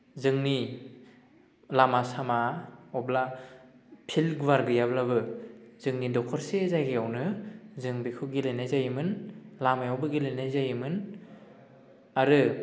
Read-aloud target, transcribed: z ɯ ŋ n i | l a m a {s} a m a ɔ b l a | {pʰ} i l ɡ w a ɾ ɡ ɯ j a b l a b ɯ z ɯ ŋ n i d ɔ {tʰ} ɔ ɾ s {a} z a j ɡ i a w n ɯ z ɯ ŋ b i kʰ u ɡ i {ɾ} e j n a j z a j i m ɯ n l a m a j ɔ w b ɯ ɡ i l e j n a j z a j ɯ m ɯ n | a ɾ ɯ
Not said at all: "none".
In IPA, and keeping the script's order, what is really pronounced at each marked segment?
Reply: s, pʰ, kʰ, e, l

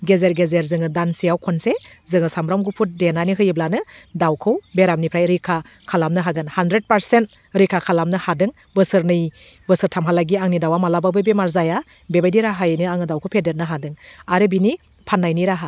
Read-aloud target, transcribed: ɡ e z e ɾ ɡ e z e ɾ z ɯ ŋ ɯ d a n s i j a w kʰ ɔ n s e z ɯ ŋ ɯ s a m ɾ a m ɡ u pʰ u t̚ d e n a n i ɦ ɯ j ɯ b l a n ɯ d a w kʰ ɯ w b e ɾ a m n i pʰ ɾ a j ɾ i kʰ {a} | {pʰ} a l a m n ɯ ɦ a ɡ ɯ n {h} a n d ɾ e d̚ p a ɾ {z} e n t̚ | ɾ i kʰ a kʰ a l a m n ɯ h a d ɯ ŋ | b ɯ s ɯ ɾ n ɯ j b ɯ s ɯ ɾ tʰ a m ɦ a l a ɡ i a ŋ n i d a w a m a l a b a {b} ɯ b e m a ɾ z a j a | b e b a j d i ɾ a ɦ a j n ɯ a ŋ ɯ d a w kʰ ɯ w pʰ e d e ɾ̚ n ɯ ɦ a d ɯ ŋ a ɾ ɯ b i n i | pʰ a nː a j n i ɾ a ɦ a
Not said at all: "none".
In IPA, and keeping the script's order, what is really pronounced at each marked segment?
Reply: a, kʰ, h, s, b

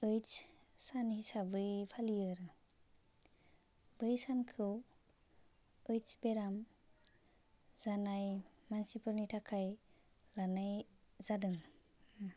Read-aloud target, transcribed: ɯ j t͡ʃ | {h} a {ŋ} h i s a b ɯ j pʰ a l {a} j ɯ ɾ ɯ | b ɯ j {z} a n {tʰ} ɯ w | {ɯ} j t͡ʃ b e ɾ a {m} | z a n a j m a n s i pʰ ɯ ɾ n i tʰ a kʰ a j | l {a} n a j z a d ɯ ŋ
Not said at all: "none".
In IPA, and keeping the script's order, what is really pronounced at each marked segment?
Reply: s, n, i, s, kʰ, ɯ, m, a

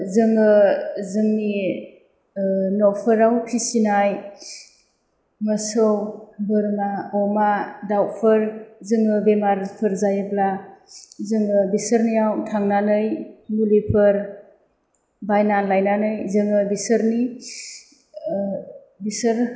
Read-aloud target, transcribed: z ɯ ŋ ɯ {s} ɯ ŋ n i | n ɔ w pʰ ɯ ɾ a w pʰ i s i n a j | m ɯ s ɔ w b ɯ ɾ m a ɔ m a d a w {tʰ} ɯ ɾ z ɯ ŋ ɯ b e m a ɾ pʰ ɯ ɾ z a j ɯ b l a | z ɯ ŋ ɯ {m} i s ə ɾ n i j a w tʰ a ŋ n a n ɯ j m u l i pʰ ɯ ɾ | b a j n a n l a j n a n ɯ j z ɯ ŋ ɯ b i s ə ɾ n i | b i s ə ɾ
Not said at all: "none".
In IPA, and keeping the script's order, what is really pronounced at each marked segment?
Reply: z, pʰ, b

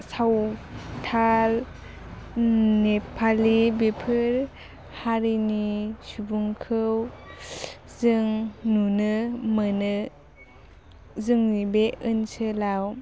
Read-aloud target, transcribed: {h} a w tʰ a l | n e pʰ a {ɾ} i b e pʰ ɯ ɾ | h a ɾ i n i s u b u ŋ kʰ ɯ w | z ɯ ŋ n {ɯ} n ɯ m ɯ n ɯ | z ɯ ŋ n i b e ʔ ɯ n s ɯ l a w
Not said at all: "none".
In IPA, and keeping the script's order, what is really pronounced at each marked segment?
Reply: s, l, u

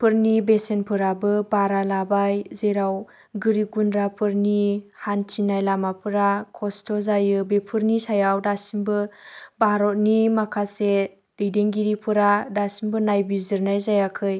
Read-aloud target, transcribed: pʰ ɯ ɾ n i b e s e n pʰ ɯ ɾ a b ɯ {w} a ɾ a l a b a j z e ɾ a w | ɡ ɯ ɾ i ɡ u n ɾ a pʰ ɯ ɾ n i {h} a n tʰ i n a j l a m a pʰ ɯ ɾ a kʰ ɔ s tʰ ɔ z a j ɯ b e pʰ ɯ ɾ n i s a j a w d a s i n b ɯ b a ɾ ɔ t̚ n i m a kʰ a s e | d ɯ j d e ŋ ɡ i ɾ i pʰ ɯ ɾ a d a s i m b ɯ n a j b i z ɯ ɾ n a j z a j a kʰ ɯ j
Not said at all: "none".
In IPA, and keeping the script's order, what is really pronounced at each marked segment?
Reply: b, h

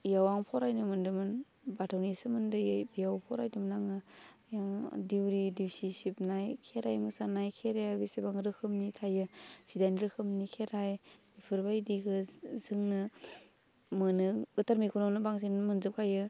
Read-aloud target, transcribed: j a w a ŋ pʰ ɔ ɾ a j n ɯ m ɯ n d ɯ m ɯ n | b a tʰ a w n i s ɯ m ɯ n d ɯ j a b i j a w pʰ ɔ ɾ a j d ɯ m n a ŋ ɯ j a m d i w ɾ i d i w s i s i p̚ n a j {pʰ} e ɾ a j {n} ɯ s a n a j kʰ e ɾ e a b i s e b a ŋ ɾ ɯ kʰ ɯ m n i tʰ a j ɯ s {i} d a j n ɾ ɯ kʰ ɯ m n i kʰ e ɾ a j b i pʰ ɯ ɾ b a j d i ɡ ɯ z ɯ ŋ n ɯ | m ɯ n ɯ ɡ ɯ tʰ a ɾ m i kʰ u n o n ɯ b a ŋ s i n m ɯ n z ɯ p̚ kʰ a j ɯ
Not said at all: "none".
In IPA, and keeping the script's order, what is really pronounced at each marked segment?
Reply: kʰ, m, i

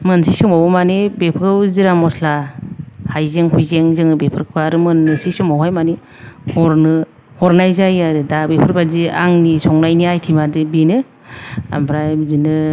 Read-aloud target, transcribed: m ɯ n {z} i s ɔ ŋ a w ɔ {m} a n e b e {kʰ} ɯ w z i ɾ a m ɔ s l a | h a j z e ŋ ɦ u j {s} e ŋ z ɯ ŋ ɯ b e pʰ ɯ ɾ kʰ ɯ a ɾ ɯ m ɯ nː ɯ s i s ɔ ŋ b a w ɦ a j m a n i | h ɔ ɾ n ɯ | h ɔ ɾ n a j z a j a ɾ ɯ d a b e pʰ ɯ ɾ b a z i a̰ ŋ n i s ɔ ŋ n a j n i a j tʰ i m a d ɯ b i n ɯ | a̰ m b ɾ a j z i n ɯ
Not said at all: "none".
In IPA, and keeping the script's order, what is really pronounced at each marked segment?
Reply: s, m, pʰ, z

